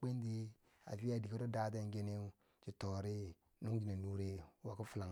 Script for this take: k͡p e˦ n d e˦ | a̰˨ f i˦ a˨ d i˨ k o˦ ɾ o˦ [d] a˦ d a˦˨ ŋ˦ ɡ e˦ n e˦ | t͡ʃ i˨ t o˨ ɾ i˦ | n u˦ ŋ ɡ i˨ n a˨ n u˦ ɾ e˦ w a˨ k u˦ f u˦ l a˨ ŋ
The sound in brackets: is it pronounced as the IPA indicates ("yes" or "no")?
yes